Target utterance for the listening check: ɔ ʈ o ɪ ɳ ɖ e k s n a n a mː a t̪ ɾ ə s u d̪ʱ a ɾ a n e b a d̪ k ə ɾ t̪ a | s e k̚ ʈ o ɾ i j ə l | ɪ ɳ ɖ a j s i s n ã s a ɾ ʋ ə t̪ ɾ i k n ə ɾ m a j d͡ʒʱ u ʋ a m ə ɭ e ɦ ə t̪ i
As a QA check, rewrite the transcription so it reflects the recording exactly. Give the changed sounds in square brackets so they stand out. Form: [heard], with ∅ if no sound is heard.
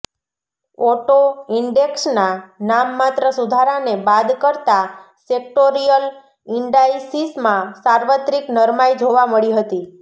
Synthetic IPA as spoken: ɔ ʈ o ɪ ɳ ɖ e k s n a n a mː a t̪ ɾ ə s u d̪ʱ a ɾ a n e b a d̪ k ə ɾ t̪ a | s e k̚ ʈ o ɾ i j ə l | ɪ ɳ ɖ a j s i s [m] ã s a ɾ ʋ ə t̪ ɾ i k n ə ɾ m a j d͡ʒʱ [o] ʋ a m ə ɭ [i] ɦ ə t̪ i